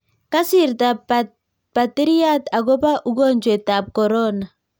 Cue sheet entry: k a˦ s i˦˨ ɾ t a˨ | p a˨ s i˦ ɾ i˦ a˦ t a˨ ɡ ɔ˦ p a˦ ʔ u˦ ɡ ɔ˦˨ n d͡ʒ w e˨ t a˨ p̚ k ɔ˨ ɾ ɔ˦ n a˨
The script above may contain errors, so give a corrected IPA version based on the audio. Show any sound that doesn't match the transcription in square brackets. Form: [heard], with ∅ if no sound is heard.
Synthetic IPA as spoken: k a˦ s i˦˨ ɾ t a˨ | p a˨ [t] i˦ ɾ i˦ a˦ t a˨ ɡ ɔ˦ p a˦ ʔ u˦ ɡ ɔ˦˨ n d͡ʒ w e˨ t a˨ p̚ k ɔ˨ ɾ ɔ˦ n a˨